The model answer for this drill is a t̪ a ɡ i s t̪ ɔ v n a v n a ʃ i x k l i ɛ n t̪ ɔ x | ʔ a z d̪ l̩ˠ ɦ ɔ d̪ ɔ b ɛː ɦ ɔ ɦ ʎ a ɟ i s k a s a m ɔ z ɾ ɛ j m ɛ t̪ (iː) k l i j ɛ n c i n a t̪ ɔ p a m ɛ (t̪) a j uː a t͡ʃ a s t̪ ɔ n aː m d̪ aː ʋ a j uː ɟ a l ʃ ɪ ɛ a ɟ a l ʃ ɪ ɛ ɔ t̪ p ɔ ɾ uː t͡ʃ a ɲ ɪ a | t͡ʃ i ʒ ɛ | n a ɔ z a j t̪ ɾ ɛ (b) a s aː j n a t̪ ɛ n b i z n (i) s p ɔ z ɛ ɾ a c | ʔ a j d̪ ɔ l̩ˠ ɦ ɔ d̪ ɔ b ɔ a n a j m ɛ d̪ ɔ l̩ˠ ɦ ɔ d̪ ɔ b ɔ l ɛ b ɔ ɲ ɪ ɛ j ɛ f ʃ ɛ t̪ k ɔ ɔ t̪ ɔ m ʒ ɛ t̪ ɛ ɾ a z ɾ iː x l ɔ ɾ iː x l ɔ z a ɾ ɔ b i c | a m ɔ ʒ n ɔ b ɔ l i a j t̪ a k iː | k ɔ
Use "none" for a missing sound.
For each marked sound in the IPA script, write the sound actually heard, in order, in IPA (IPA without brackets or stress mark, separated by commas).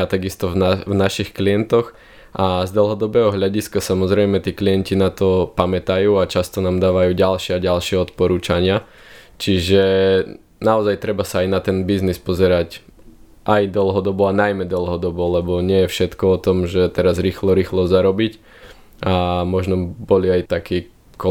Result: iː, t̪, b, i